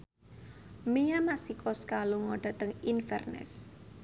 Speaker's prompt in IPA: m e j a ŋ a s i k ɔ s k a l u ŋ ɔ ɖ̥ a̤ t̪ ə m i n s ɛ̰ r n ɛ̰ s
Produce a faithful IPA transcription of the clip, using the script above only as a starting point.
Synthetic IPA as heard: m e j a m a s i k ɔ s k a l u ŋ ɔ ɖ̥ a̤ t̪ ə ŋ i n f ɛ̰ r n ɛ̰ s